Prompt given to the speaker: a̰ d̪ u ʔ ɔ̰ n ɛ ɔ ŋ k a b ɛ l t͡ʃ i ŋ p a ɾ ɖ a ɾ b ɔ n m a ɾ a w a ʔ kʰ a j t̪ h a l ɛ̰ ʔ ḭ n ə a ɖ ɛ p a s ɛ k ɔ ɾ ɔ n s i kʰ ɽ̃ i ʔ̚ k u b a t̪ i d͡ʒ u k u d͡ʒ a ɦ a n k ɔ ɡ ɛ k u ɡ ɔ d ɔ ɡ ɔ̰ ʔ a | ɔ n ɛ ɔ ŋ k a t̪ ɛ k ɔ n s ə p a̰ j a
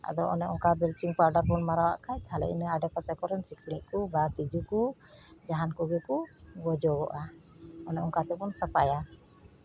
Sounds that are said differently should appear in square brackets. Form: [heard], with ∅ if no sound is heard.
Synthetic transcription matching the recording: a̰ d̪ [ɔ] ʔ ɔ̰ n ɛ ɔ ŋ k a b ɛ l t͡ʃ i ŋ p a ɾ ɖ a ɾ b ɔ n m a ɾ a w a ʔ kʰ a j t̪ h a l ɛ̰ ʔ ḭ n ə a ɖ ɛ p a s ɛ k ɔ ɾ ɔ n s i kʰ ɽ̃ i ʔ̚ k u b a t̪ i d͡ʒ u k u d͡ʒ a ɦ a n k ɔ ɡ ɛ k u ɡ ɔ [d͡ʒ] ɔ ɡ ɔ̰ ʔ a | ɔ n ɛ ɔ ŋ k a t̪ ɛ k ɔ n s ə p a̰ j a